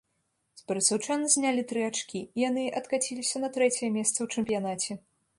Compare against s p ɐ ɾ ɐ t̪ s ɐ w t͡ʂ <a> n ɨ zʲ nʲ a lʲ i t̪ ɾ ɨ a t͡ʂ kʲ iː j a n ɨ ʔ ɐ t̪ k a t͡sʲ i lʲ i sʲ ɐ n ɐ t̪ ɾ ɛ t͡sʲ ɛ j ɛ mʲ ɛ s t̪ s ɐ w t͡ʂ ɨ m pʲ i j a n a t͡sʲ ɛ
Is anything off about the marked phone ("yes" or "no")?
no